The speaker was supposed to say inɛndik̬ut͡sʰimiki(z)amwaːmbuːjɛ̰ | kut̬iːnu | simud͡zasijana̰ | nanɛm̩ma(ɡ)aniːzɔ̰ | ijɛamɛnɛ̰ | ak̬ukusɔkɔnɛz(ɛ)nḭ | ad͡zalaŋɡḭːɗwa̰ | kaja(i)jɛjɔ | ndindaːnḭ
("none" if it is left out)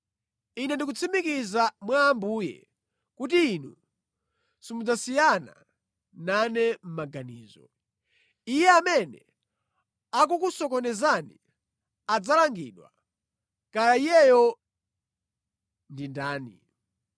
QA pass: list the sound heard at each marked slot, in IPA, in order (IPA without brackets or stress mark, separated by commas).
z, ɡ, a, i